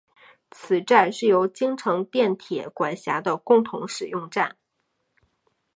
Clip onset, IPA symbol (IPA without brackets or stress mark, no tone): t͡sʰ